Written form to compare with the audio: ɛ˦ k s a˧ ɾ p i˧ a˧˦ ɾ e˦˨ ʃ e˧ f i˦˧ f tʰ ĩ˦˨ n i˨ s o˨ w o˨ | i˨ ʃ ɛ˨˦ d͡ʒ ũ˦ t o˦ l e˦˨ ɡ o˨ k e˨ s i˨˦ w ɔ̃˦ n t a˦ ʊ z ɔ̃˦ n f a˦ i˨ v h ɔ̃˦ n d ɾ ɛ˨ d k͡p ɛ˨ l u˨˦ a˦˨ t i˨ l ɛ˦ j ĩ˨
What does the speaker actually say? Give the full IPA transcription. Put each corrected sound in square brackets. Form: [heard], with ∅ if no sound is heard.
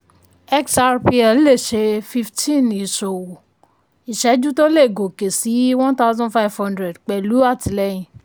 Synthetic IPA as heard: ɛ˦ k s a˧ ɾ p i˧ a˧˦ [l] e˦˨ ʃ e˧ f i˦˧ f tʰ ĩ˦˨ n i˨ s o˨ w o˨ | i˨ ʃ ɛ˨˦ d͡ʒ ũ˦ t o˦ l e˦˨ ɡ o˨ k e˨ s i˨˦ w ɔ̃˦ n t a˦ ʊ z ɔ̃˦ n f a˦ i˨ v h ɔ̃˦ n d ɾ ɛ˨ d k͡p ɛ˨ l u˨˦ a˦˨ t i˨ l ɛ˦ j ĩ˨